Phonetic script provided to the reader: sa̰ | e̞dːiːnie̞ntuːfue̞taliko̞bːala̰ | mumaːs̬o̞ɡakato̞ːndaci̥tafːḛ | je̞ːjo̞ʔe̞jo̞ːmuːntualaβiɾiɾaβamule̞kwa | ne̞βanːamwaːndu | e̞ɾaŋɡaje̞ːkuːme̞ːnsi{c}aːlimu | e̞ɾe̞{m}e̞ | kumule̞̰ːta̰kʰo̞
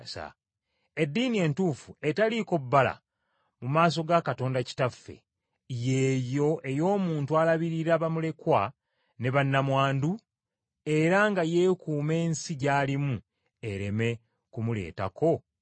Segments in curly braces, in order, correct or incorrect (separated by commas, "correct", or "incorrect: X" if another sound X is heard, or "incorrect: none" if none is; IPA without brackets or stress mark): incorrect: ɟ, correct